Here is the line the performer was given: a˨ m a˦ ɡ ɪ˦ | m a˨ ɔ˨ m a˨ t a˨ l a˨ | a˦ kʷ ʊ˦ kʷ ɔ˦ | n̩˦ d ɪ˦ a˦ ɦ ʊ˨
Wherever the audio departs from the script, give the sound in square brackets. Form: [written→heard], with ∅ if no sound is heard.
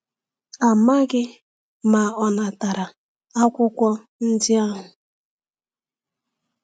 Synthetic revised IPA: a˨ m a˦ ɡ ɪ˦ | m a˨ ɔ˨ [m→n] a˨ t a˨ [l→ɾ] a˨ | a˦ kʷ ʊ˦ kʷ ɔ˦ | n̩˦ d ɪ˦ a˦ ɦ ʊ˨